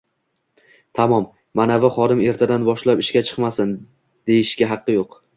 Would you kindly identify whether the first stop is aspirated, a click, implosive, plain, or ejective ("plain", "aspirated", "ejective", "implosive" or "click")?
aspirated